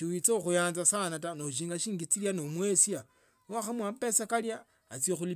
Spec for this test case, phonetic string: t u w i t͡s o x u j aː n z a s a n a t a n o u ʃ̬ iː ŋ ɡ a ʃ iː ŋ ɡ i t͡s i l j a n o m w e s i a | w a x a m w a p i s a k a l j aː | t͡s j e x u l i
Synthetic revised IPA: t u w i t͡s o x u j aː n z a s a n a t a n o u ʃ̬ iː ŋ ɡ a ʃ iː ŋ ɡ i t͡s i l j a n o m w e s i a | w a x a m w a p e s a k a l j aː | t͡s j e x u l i